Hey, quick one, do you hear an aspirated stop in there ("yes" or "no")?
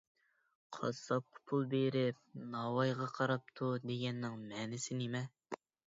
yes